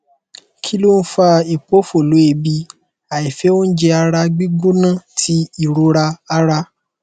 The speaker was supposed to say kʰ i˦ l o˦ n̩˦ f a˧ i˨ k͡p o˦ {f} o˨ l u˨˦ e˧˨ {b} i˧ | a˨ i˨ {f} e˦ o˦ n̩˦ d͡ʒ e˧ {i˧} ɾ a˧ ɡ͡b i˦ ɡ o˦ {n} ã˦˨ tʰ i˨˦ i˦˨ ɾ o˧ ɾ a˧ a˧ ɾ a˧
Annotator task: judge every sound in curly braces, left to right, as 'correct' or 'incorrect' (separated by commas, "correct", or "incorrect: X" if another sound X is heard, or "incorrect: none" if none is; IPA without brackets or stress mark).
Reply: correct, correct, correct, incorrect: a˧, correct